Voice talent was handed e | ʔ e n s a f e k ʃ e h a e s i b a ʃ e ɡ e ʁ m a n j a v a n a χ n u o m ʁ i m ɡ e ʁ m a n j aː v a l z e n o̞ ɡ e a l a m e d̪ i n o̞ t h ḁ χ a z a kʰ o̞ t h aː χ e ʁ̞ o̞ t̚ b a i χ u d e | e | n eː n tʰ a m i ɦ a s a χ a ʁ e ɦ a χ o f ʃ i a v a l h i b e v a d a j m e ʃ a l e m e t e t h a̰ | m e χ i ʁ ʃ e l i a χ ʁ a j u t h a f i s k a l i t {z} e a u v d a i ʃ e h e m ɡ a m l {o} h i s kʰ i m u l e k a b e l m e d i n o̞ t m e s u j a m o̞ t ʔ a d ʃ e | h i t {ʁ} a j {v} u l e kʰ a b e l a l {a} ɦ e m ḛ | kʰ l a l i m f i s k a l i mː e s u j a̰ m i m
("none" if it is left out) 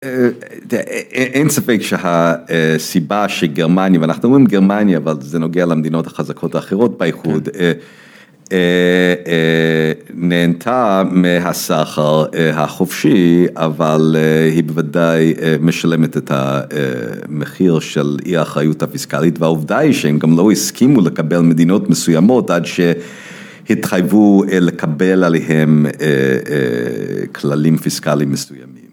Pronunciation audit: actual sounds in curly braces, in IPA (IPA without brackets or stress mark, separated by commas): v, o, χ, v, e